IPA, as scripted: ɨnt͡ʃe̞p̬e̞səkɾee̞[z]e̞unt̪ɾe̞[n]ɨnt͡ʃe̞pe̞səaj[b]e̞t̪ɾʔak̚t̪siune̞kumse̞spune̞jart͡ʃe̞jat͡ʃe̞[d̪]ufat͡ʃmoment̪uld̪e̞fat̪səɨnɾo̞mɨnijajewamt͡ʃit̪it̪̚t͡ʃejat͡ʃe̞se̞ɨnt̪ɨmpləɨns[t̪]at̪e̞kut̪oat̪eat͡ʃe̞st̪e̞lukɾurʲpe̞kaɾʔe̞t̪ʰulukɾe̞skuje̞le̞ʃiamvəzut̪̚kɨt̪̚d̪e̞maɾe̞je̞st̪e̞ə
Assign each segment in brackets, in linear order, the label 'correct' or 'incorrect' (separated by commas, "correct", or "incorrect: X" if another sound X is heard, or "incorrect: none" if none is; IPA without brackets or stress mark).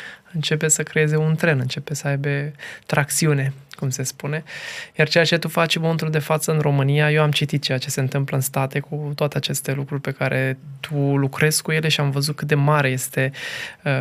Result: correct, correct, correct, incorrect: t̪, correct